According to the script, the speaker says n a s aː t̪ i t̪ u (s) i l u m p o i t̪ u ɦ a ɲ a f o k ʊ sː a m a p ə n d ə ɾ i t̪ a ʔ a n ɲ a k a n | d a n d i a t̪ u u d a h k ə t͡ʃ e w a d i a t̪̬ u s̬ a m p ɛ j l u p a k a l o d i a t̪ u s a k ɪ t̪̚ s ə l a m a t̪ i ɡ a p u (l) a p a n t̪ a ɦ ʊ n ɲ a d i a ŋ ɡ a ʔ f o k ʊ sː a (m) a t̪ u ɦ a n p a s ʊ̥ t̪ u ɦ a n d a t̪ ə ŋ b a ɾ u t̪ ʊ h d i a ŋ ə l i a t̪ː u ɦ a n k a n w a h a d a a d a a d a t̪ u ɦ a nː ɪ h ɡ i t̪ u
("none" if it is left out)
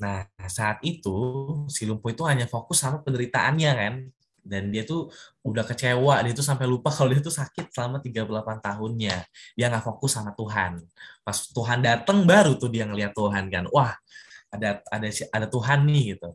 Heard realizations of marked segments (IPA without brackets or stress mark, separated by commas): s, l, m